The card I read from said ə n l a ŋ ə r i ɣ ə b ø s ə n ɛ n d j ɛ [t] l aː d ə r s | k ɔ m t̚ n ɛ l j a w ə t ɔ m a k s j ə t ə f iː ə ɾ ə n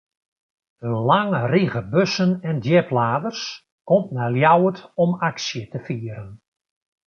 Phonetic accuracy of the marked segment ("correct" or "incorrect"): incorrect